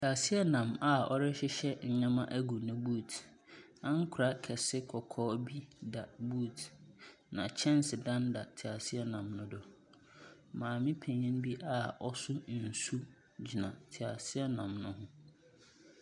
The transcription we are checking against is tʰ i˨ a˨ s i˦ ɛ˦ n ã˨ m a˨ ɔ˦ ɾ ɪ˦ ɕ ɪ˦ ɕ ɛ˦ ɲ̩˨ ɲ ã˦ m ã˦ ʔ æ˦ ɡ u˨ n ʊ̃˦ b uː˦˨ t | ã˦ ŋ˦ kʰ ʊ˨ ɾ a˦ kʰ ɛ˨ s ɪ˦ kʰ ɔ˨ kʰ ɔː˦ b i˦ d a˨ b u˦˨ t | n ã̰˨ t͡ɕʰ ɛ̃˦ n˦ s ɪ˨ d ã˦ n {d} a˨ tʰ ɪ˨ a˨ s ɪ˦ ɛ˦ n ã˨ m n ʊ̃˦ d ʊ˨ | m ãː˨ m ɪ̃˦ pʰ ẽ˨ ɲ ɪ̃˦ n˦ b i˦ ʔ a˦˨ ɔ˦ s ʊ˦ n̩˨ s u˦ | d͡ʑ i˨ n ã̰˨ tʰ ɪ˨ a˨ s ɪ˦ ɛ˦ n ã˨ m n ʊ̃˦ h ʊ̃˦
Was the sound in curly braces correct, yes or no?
yes